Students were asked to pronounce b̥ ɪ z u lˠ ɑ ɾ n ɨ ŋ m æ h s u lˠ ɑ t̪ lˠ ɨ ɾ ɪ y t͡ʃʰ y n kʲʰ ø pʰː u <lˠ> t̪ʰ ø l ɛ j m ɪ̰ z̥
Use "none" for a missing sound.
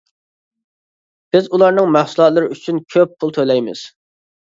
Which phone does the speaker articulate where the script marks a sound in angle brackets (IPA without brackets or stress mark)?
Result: lˠ